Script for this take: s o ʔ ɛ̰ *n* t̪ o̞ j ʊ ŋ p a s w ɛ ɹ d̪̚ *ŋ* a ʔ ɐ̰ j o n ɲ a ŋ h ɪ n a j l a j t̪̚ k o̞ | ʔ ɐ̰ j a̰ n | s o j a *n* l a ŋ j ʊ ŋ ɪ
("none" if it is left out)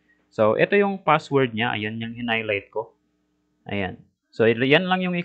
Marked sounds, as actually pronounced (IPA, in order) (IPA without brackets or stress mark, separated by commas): none, ɲ, n